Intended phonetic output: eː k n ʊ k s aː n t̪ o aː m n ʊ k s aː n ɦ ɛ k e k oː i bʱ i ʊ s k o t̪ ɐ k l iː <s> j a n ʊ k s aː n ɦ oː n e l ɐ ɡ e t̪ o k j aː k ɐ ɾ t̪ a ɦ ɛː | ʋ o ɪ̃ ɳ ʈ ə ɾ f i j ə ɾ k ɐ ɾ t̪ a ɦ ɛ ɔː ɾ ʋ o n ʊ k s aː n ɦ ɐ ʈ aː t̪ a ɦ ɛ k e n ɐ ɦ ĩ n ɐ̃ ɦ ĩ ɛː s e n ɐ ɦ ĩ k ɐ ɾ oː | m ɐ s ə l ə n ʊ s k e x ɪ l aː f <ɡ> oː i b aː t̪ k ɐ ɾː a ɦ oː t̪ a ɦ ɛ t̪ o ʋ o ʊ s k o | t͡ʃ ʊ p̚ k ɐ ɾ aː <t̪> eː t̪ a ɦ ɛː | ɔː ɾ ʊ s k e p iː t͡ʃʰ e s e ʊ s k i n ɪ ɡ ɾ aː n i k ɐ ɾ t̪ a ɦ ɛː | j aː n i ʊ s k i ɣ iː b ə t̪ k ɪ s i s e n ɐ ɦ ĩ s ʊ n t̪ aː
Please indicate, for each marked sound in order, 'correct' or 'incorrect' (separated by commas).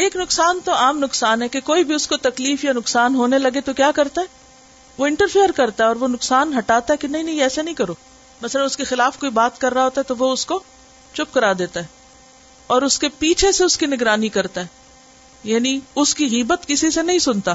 incorrect, incorrect, incorrect